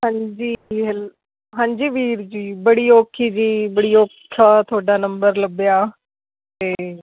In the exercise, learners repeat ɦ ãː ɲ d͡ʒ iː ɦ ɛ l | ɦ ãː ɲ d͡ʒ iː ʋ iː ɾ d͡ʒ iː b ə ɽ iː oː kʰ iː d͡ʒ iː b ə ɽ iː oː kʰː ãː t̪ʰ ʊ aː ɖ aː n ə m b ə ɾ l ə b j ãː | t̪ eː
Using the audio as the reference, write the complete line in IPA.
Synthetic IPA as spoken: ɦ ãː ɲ d͡ʒ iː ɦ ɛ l | ɦ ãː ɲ d͡ʒ iː ʋ iː ɾ d͡ʒ iː b ə ɽ iː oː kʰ iː d͡ʒ iː b ə ɽ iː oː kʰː aː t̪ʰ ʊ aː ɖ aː n ə m b ə ɾ l ə b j aː | t̪ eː